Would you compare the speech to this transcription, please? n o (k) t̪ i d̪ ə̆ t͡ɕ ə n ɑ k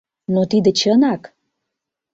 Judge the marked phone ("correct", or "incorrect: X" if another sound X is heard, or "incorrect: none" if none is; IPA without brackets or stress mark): incorrect: none